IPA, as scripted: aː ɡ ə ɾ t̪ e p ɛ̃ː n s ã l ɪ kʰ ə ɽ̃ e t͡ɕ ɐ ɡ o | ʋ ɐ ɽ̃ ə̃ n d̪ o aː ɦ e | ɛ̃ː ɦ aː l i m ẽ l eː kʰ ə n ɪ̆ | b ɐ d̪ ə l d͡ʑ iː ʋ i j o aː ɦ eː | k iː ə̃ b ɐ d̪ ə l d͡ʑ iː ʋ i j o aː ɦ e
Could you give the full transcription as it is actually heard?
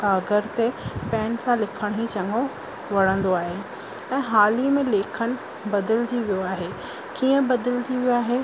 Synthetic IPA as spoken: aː ɡ ə ɾ t̪ e p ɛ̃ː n s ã l ɪ kʰ ə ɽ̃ i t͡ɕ ɐ ŋ o | ʋ ɐ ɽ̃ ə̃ n d̪ o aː ɦ e | ɛ̃ː ɦ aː l i m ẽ l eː kʰ ə n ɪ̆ | b ɐ d̪ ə l d͡ʑ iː ʋ i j o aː ɦ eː | k iː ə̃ b ɐ d̪ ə l d͡ʑ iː ʋ i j o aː ɦ e